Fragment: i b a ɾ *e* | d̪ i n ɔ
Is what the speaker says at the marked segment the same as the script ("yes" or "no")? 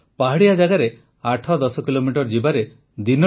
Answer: yes